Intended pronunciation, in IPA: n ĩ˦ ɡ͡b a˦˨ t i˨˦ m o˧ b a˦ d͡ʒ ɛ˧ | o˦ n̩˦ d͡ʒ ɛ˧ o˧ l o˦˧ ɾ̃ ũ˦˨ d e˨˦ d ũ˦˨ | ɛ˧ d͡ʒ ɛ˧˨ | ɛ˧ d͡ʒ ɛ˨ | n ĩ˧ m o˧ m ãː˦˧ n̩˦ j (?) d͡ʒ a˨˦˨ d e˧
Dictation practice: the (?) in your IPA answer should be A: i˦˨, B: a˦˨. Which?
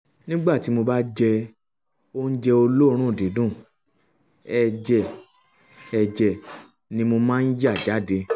B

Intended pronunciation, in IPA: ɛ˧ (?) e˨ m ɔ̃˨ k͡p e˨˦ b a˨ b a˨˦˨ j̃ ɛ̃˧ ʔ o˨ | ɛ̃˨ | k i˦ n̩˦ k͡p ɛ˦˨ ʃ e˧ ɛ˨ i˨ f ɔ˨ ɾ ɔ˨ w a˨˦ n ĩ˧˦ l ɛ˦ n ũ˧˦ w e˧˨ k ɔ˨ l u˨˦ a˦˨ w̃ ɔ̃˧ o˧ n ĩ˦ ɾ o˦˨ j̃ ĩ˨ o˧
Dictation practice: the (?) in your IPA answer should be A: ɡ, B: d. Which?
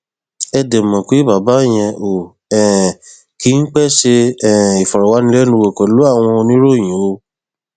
B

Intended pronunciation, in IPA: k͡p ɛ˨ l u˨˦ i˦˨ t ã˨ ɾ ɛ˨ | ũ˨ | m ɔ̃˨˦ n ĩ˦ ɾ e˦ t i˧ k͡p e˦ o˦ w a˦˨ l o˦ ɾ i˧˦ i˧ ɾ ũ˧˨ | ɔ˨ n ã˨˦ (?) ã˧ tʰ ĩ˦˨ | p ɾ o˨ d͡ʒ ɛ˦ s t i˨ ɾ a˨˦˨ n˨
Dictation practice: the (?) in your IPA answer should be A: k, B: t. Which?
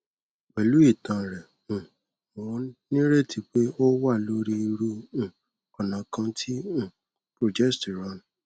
A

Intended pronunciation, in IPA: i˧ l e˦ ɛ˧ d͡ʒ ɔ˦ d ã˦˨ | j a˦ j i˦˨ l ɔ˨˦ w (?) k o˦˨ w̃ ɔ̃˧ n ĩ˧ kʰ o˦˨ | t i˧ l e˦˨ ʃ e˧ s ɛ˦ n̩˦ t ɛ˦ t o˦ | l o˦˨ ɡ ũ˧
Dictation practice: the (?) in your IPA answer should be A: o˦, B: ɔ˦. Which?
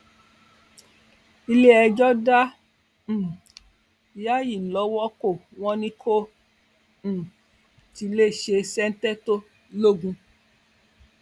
B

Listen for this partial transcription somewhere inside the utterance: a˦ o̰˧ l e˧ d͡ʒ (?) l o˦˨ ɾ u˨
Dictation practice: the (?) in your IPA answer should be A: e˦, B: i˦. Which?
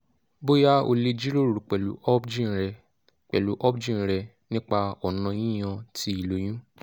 B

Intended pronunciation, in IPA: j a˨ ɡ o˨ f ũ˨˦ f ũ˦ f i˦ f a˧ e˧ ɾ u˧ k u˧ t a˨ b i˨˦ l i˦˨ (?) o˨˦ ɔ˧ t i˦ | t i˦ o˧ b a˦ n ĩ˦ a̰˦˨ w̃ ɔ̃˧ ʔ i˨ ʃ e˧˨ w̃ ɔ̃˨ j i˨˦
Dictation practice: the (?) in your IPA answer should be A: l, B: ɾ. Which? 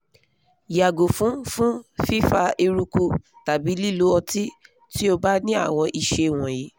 A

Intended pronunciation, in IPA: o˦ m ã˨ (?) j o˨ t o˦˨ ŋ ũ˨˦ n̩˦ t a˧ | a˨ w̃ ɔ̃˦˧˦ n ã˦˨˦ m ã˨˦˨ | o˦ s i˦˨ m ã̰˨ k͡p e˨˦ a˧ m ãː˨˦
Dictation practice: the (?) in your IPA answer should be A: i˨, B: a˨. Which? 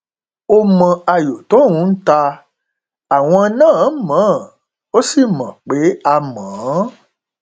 B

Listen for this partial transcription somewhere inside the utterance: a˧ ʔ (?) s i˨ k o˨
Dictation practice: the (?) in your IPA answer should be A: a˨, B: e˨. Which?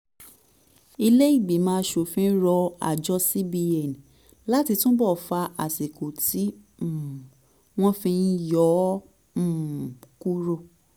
A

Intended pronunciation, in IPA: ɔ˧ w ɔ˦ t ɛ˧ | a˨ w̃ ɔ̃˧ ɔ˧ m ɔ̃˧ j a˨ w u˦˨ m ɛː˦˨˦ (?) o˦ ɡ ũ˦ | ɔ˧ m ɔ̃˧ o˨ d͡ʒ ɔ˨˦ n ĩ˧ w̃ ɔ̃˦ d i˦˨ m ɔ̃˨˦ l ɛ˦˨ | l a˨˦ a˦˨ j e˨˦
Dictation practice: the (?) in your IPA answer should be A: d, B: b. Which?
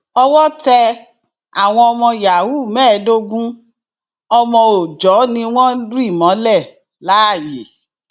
A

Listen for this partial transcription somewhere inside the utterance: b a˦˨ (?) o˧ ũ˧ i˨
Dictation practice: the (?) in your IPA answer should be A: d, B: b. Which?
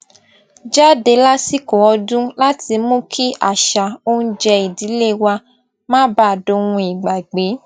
A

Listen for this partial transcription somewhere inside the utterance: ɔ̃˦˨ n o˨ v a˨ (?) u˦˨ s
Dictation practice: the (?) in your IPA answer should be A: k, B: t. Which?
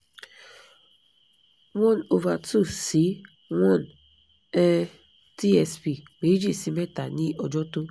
B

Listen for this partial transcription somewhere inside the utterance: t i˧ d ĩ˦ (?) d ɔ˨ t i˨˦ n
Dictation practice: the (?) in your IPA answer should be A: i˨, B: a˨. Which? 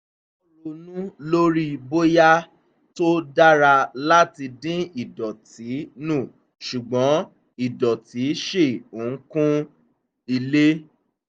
A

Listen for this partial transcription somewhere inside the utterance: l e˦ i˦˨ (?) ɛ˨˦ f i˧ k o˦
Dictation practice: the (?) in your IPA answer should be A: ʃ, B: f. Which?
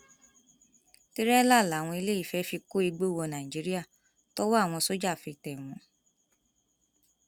B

